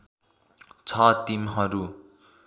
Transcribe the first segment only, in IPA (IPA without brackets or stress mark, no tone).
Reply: t͡sʰ